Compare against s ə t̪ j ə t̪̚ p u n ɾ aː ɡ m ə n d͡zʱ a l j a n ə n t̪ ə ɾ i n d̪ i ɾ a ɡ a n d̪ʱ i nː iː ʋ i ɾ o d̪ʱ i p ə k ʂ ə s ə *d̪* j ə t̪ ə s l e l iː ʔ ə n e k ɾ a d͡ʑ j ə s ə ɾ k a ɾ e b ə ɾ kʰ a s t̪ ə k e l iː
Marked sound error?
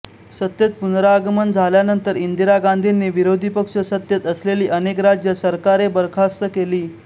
yes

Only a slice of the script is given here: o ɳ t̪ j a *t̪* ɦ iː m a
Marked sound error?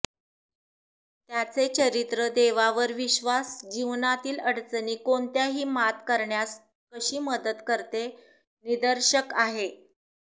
yes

